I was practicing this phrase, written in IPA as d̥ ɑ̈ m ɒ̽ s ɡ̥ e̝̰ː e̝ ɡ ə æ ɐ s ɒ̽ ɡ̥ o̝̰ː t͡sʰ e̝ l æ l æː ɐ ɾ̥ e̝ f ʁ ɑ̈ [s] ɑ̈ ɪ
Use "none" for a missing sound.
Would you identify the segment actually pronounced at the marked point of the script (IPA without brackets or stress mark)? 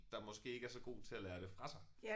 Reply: s